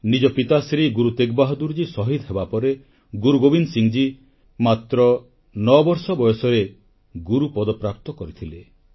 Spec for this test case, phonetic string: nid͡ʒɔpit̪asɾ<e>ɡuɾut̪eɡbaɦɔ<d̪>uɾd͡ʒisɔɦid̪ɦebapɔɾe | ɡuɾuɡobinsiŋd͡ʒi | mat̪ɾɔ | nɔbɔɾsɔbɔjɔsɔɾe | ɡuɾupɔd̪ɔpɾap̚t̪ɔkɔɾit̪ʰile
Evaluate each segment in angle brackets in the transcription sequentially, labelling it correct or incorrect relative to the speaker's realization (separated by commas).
incorrect, correct